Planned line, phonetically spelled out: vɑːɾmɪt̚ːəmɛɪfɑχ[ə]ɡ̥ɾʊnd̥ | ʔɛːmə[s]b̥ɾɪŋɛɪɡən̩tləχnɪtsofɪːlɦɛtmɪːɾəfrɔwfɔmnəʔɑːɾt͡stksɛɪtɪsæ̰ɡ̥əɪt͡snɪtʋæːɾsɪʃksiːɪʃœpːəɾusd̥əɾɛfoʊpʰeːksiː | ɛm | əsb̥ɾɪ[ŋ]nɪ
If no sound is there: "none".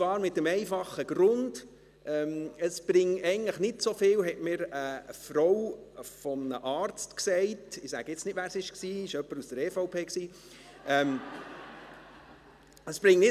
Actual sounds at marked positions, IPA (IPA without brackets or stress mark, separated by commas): ə, s, ŋ